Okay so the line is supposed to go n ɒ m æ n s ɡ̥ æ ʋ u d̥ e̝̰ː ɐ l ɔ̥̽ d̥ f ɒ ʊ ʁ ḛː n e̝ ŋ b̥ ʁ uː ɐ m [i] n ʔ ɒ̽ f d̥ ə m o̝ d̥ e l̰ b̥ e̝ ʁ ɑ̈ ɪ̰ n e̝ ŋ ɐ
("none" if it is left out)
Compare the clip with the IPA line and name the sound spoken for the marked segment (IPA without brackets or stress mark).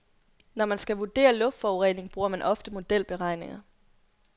æ